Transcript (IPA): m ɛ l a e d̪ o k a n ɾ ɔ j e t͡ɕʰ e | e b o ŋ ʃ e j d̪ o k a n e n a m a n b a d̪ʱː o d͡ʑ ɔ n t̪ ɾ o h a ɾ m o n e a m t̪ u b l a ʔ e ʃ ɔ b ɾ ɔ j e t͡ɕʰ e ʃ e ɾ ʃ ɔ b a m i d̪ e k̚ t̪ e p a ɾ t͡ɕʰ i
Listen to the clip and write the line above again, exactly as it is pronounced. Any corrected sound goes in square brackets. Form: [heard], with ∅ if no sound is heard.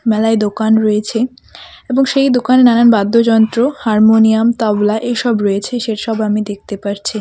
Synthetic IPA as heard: m ɛ l a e d̪ o k a n ɾ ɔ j e t͡ɕʰ e | e b o ŋ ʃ e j d̪ o k a n e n a [n] a n b a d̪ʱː o d͡ʑ ɔ n t̪ ɾ o h a ɾ m o n [i] a m t̪ [ɔ] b l a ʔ e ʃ ɔ b ɾ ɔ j e t͡ɕʰ e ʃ e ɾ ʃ ɔ b a m i d̪ e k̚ t̪ e p a ɾ t͡ɕʰ i